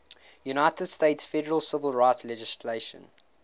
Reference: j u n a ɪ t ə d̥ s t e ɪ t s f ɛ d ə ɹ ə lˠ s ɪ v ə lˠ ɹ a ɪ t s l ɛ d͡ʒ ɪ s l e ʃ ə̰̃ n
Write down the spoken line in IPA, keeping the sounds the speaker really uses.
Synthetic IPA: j u n a ɪ t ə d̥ s t e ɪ t s f ɛ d ə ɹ ə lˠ s ɪ v ə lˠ ɹ a ɪ t s l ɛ d͡ʒ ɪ s l e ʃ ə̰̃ n